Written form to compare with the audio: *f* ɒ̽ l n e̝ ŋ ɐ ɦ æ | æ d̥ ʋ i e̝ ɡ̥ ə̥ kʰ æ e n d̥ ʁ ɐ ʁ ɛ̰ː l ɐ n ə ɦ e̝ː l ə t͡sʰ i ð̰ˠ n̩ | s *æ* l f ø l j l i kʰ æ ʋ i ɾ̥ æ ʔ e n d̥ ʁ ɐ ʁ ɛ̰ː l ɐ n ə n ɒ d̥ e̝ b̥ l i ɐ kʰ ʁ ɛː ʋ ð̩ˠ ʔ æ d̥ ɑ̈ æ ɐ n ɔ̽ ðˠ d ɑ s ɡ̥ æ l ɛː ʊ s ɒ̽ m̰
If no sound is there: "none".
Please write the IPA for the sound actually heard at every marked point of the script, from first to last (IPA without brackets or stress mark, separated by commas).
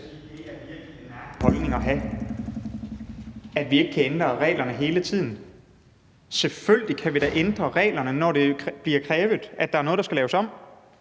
h, e